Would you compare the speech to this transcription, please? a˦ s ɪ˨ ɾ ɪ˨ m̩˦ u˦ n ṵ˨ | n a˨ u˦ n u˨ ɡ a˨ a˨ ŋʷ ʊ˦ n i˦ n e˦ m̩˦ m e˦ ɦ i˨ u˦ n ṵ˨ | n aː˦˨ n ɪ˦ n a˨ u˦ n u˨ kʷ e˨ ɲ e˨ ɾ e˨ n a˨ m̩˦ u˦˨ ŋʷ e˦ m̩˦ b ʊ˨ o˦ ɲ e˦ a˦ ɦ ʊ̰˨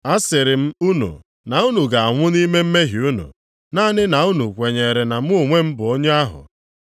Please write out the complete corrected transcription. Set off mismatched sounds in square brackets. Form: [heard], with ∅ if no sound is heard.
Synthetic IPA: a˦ s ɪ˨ ɾ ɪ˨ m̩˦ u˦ n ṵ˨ | n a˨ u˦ n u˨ ɡ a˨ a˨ ŋʷ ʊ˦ n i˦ [m] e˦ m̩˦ m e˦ ɦ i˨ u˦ n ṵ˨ | n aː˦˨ n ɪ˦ n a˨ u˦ n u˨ kʷ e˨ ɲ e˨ ɾ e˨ n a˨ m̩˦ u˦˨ ŋʷ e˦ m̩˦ b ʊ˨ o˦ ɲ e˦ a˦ ɦ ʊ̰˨